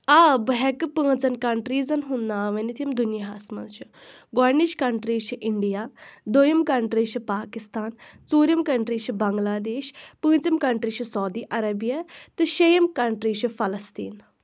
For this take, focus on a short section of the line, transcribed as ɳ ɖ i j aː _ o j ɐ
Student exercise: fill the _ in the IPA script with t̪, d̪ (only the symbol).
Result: d̪